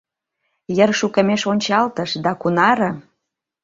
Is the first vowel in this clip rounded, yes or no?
no